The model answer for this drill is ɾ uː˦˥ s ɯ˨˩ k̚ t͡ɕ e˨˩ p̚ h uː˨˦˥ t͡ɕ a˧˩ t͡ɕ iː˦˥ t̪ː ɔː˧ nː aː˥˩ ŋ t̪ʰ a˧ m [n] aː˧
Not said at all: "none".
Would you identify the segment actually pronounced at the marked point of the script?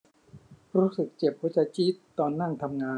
ŋ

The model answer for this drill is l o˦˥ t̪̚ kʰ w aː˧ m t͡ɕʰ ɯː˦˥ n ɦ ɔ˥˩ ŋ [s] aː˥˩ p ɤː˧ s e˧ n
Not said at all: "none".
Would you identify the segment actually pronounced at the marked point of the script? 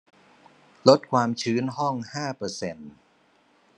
h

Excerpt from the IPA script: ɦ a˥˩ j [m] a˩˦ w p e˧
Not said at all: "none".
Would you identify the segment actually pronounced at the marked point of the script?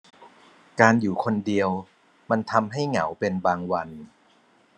ŋ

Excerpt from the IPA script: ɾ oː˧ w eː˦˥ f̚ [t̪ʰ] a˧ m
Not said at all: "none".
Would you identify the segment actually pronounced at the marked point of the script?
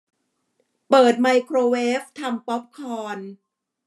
t̪ʰ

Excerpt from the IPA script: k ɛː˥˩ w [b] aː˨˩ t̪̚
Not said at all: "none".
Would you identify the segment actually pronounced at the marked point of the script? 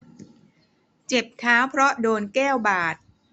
b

